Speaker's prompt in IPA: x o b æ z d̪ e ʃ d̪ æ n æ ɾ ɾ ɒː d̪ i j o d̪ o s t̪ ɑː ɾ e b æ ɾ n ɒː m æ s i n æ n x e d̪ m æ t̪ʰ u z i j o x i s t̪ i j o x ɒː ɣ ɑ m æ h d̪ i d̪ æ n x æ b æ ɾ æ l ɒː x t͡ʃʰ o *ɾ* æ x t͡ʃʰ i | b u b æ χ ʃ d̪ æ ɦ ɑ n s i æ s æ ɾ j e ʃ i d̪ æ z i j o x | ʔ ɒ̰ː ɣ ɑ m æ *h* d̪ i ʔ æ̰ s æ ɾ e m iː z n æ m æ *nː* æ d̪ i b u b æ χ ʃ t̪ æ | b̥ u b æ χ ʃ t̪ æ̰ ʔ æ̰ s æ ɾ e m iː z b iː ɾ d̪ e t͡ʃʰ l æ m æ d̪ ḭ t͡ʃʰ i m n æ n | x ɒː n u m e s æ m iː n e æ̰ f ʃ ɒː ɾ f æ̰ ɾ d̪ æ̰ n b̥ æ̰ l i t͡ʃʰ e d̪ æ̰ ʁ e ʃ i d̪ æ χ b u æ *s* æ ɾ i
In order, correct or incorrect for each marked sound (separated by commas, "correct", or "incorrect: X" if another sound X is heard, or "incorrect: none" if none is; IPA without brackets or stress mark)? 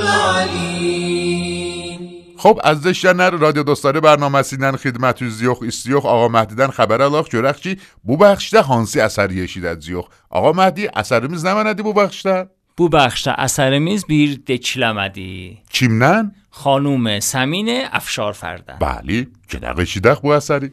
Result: correct, correct, incorrect: n, correct